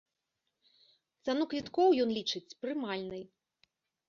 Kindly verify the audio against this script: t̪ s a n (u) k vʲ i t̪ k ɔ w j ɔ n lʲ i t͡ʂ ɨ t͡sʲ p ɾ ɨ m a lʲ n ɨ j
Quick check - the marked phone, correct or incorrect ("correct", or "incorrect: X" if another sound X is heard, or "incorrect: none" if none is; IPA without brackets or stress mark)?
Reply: correct